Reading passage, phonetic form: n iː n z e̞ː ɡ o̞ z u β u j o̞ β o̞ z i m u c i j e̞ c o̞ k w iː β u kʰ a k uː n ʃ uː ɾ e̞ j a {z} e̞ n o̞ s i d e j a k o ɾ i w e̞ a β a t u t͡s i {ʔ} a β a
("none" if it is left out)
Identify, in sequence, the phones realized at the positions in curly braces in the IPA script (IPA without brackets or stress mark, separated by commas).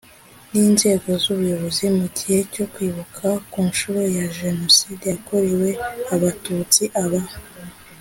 ʒ, ʔ